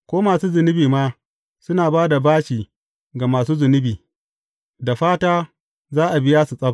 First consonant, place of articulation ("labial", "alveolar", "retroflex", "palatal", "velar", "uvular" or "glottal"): velar